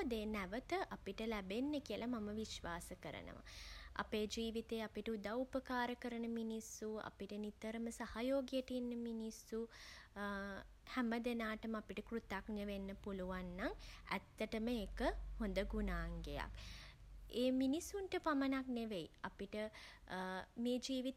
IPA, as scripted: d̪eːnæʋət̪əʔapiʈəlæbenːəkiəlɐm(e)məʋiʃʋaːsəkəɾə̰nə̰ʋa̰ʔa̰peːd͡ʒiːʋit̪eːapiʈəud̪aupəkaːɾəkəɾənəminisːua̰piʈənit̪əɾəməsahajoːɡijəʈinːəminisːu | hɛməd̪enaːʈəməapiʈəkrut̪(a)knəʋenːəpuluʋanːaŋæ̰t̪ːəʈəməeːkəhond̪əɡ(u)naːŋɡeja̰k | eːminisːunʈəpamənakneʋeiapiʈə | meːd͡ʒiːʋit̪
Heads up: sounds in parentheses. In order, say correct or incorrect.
incorrect: a, correct, correct

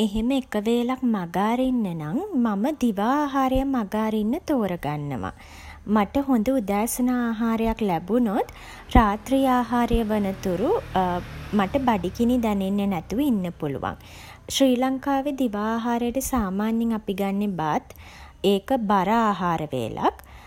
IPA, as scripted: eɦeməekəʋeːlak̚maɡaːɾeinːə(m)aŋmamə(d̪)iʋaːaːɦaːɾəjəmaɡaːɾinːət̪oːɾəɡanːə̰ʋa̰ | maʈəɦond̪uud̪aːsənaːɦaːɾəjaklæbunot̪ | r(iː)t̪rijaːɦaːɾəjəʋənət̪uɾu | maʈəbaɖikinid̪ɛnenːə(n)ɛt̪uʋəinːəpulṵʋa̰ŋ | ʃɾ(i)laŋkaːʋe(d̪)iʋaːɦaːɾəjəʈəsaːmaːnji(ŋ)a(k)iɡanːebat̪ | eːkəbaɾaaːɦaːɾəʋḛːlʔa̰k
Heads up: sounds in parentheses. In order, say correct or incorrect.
incorrect: n, correct, incorrect: aː, correct, incorrect: iː, correct, correct, incorrect: p

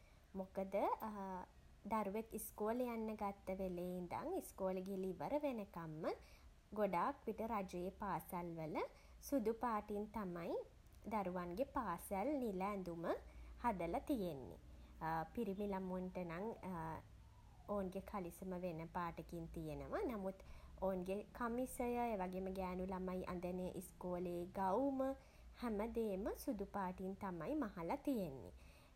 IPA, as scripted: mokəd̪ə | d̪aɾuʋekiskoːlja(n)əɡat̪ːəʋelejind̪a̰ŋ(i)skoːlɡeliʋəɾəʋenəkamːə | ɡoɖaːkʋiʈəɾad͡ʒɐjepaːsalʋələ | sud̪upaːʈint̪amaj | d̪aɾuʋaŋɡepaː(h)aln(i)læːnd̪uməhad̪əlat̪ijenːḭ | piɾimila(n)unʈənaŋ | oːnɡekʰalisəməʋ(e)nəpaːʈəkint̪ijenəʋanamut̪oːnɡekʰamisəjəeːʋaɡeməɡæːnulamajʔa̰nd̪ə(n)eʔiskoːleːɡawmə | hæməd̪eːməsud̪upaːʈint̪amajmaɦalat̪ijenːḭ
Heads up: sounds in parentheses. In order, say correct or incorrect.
incorrect: nː, correct, incorrect: s, correct, incorrect: m, correct, correct

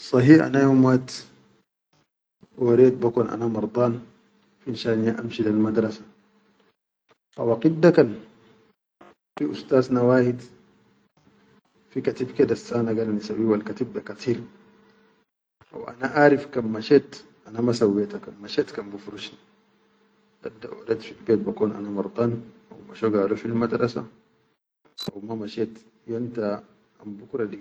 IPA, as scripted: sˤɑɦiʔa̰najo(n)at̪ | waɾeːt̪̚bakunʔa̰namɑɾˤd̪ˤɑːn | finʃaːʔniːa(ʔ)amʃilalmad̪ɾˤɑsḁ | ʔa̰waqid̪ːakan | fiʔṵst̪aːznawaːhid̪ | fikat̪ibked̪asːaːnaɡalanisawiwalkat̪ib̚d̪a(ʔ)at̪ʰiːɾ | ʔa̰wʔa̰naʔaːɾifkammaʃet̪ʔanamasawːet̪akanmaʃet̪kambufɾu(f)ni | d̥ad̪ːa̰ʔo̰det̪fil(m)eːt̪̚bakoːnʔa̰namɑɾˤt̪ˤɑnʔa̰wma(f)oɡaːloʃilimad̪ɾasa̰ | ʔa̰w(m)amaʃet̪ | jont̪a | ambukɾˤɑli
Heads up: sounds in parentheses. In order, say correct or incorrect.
incorrect: m, correct, incorrect: k, incorrect: ʃ, incorrect: b, incorrect: ʃ, correct

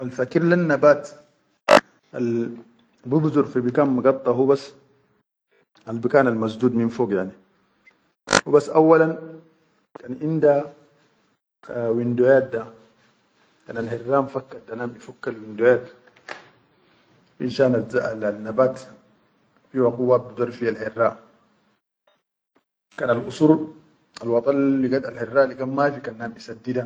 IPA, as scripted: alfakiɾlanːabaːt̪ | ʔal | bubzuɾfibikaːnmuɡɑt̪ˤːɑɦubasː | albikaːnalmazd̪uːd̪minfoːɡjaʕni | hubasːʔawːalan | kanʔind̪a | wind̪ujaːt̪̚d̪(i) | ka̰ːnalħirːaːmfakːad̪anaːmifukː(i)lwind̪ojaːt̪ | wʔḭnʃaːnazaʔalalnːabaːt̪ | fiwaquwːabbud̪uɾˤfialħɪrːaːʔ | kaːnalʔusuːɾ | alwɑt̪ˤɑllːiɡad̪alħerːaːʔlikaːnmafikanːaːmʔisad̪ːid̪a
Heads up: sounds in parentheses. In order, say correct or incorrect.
incorrect: a, incorrect: a

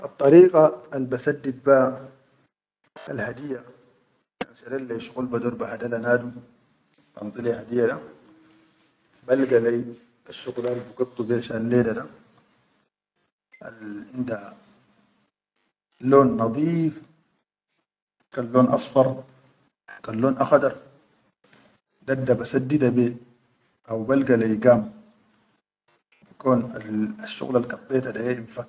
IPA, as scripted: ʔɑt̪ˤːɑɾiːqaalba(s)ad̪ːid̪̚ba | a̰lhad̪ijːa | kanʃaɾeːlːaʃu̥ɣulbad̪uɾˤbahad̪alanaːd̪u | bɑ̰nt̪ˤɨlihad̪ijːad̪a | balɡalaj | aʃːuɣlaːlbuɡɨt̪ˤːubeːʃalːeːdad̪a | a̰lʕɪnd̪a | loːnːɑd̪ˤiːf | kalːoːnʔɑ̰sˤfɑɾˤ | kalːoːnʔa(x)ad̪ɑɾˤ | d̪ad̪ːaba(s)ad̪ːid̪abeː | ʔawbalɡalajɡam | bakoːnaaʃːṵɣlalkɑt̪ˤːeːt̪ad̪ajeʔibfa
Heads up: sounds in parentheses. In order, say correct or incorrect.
correct, correct, correct

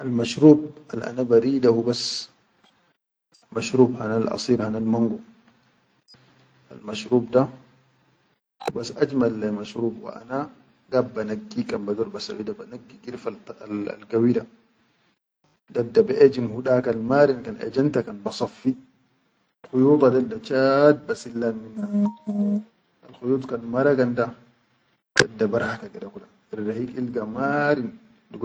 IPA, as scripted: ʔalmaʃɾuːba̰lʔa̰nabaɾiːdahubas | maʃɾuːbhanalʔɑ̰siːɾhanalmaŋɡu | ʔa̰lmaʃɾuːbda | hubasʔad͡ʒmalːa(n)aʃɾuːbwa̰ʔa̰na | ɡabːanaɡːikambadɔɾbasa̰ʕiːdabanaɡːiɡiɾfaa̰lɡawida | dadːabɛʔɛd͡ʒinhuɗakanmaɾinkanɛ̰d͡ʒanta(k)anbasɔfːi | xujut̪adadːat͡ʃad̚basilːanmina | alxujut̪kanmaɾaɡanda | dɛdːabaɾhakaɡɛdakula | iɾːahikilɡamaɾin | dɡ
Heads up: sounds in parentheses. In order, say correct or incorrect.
incorrect: m, correct

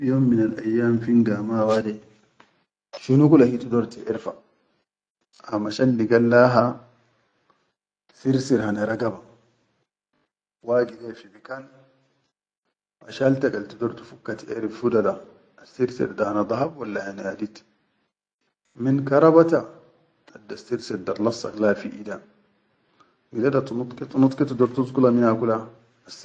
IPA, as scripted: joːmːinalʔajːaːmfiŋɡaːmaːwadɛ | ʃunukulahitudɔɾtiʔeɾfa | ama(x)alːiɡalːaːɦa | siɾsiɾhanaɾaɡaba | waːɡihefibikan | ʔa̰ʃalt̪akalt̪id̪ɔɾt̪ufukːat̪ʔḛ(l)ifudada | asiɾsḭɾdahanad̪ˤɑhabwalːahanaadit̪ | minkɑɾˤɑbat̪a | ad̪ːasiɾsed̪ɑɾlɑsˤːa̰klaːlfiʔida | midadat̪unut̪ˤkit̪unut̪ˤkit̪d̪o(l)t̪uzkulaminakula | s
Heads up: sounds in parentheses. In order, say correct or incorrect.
incorrect: ʃ, incorrect: ɾ, incorrect: ɾ

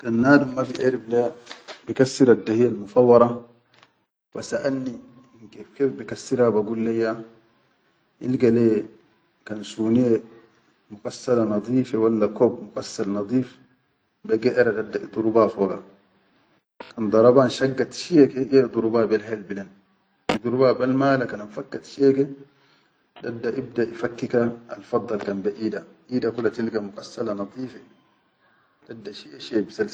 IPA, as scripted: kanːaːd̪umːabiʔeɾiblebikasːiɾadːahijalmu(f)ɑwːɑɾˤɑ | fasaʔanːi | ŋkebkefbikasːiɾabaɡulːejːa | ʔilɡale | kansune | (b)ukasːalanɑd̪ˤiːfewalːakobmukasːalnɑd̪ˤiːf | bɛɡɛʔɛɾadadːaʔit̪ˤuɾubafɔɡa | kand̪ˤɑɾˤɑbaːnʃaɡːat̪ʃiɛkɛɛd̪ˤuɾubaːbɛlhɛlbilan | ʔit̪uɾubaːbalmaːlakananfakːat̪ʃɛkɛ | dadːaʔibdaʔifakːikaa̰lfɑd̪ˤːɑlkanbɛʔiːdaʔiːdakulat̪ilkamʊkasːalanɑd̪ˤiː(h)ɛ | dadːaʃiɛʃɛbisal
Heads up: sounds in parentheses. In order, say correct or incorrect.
correct, incorrect: m, incorrect: f

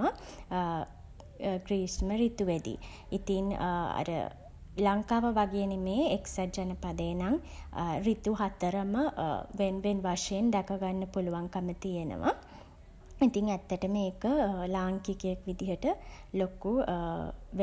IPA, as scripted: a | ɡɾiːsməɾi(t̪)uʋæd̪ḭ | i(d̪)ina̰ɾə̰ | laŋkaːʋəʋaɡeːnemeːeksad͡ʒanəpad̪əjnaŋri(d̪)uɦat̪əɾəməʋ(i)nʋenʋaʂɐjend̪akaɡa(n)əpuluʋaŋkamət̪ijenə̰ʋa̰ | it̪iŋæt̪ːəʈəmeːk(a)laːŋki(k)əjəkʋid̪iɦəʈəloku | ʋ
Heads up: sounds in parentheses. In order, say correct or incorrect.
correct, incorrect: t̪, incorrect: t̪, incorrect: e, incorrect: nː, incorrect: ə, correct

